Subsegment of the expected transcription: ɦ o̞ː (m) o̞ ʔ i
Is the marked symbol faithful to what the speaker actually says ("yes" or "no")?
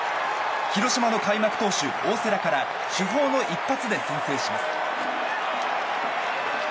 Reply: no